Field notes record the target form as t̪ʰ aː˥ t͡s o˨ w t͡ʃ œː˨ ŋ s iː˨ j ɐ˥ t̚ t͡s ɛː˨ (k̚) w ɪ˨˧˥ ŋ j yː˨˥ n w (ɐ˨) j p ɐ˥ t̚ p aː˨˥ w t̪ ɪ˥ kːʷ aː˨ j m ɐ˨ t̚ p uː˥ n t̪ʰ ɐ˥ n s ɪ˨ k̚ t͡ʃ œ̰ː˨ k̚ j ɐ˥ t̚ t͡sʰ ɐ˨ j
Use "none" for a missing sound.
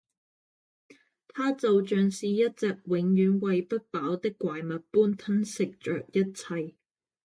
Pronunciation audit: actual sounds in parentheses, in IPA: k̚, ɐ˨

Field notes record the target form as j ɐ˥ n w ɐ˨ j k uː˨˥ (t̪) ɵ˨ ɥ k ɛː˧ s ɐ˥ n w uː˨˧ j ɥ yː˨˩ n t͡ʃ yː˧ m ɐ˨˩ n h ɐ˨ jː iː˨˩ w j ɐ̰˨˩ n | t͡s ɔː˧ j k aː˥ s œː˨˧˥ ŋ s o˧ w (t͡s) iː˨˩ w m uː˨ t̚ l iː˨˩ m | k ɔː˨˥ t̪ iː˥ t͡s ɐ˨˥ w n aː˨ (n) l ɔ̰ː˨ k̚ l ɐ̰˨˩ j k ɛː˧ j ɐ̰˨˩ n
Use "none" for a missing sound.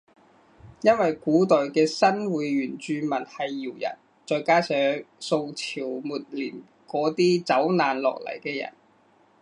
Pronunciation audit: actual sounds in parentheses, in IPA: t̪, t͡sʰ, n

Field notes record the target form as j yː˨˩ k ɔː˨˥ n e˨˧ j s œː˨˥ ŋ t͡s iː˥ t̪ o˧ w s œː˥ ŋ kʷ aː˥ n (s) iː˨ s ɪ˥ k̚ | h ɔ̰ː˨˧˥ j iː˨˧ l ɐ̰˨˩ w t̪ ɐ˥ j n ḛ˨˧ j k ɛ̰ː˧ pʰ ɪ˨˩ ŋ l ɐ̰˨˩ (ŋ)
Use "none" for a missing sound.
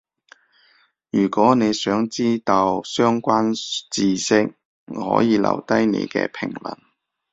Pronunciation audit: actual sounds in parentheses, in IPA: t͡s, n

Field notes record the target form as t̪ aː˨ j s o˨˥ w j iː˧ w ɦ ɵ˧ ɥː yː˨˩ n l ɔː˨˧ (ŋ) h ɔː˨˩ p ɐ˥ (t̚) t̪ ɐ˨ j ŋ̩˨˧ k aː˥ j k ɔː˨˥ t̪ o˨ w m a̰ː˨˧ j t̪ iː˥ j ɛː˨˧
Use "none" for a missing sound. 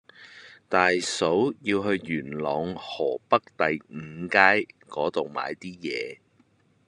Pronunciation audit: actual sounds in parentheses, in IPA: ŋ, k̚

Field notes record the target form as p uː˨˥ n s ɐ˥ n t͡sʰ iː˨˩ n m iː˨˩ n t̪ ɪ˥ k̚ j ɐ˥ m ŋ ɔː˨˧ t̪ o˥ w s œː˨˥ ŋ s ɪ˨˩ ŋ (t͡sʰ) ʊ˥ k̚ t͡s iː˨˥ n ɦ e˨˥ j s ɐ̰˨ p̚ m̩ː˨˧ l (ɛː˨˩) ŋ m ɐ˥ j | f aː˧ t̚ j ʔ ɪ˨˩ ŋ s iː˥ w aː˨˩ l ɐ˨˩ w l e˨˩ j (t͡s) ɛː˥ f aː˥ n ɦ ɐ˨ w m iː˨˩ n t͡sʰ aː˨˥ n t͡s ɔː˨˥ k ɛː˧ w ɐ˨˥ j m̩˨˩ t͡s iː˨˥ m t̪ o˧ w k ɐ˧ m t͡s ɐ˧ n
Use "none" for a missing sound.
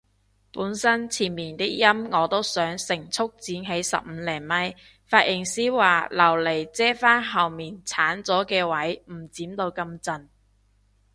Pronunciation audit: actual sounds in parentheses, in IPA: t͡sʰ, ɛː˨˩, t͡s

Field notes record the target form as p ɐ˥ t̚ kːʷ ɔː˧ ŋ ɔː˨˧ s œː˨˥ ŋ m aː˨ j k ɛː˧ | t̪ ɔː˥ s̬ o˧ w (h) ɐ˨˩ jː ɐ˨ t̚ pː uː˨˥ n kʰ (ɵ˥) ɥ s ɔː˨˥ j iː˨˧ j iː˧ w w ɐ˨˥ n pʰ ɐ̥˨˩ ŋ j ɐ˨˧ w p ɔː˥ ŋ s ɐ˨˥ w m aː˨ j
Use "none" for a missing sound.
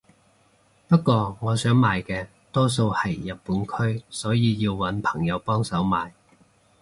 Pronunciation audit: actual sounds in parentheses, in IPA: h, ɵ˥

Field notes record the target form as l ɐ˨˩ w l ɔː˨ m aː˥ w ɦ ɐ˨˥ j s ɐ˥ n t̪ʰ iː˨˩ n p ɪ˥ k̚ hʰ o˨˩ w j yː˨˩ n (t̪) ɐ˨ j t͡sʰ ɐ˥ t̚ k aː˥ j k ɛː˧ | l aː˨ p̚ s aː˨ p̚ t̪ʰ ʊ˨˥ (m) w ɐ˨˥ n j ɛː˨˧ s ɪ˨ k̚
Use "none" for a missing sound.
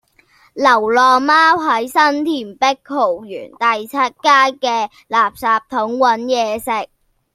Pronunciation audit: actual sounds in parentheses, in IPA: t̪, ŋ

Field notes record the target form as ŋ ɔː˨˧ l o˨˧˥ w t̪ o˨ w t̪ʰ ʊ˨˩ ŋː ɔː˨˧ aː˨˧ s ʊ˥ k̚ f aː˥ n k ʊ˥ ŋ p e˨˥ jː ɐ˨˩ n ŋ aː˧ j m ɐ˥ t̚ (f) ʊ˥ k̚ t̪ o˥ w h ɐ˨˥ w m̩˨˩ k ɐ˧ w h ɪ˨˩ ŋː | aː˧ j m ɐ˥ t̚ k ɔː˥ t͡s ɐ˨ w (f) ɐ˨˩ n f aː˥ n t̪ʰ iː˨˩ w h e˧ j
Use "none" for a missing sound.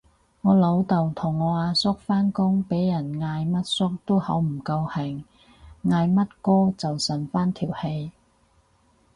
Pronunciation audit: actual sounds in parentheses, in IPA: s, s

